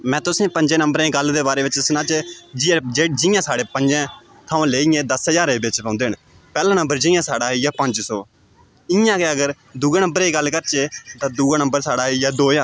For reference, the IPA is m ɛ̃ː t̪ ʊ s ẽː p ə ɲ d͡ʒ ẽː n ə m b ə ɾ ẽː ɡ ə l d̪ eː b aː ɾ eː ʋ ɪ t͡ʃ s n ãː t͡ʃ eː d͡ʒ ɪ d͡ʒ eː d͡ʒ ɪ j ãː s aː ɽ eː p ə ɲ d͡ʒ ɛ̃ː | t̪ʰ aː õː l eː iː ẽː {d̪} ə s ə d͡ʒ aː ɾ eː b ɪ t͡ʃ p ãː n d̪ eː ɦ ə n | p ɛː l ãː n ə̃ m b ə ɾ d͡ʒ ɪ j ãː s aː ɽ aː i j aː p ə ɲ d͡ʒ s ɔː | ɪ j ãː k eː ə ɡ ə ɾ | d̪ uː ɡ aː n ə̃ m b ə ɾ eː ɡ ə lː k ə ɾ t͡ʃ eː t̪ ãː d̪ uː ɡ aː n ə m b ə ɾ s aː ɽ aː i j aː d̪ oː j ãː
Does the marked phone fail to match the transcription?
no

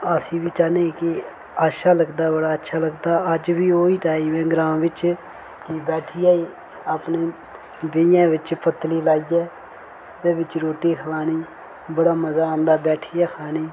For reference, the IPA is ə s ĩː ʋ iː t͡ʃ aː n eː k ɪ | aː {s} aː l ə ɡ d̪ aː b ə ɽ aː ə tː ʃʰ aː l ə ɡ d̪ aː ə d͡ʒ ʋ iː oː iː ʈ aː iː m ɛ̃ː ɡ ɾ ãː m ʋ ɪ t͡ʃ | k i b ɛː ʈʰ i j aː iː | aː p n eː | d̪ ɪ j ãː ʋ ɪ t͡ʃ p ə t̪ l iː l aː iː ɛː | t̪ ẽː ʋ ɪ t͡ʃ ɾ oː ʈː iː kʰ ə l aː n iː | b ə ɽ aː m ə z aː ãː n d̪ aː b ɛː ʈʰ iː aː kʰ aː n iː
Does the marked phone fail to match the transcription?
yes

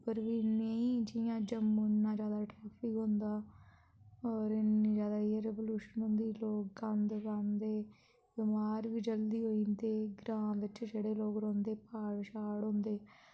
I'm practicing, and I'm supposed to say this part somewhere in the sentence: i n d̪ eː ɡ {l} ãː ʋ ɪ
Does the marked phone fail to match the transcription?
yes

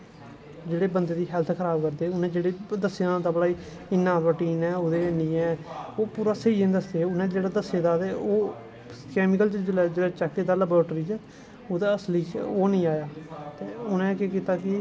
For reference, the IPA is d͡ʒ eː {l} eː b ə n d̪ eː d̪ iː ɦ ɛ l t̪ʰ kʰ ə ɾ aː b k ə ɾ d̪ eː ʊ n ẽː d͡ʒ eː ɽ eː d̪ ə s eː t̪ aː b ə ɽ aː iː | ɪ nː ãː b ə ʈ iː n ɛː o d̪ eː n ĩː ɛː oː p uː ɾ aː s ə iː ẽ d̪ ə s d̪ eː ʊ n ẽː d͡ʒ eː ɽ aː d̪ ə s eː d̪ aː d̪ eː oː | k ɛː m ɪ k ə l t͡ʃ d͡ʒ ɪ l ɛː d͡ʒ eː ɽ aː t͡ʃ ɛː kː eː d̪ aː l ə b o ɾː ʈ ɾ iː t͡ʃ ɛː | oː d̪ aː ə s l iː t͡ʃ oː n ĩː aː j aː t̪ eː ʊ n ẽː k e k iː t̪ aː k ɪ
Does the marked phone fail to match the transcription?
yes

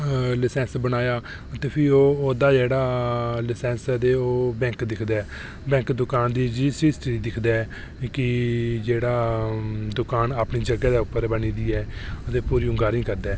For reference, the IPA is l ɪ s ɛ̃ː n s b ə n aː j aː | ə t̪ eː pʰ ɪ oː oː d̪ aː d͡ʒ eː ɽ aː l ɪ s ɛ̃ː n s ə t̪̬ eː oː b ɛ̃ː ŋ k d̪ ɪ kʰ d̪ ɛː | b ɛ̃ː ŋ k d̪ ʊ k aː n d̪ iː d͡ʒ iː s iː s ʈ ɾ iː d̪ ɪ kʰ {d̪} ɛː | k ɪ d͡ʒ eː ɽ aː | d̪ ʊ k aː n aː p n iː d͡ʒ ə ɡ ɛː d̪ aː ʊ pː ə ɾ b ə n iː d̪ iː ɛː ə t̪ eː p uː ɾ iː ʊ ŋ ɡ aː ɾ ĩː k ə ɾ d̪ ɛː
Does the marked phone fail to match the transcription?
no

